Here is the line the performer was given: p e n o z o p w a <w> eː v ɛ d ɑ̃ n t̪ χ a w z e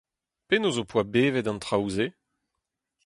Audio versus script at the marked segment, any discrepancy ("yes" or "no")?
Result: yes